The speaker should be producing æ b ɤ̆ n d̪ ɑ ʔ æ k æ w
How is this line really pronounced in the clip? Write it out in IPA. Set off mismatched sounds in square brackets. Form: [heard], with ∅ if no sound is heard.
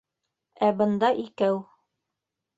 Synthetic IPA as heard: æ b ɤ̆ n d̪ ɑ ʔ [i] k æ w